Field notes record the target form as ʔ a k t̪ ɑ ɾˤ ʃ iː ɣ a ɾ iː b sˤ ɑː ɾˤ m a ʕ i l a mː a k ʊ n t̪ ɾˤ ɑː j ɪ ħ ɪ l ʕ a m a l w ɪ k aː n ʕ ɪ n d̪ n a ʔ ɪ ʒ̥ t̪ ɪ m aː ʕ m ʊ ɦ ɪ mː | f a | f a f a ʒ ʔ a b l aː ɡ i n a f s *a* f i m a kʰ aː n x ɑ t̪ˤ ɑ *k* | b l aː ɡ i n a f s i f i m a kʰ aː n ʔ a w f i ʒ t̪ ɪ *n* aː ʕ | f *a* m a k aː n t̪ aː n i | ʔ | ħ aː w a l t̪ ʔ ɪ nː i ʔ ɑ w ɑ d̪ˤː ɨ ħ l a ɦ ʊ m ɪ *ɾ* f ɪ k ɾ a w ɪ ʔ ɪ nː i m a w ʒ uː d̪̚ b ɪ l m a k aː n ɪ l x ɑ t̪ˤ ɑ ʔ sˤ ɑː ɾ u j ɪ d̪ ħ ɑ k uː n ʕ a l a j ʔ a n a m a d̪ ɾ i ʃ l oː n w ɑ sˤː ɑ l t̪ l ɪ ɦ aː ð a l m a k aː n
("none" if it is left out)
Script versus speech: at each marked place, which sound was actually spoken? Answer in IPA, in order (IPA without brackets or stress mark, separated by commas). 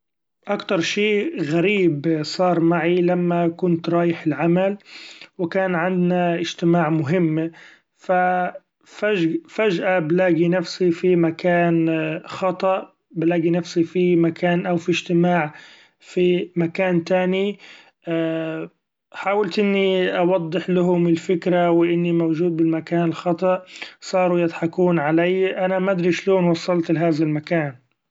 i, ʔ, m, i, l